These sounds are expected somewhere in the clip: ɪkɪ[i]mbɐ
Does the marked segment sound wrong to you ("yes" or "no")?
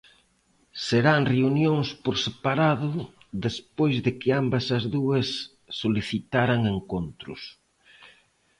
yes